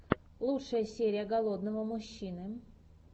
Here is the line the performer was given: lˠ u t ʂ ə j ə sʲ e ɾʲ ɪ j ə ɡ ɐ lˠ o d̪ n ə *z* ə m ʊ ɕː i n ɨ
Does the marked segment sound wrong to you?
yes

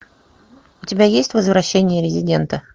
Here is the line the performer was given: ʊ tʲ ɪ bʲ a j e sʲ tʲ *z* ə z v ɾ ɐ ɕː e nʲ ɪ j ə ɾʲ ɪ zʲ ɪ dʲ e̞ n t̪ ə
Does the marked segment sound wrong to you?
yes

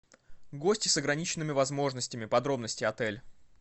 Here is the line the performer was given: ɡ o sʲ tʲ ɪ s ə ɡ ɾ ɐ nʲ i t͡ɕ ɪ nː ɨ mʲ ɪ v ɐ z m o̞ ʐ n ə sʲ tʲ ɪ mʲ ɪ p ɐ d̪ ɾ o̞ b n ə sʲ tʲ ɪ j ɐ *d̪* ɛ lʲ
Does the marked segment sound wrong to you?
yes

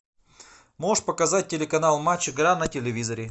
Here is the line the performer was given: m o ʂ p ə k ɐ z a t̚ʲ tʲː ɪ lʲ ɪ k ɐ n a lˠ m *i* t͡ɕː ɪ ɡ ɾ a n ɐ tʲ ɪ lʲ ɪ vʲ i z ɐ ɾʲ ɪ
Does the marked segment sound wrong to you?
yes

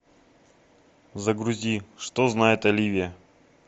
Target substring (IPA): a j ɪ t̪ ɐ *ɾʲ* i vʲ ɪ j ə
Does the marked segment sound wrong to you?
yes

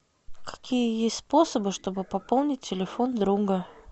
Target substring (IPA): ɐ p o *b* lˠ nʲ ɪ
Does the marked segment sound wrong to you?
yes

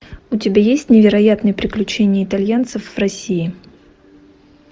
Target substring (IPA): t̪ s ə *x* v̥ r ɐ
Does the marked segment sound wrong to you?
yes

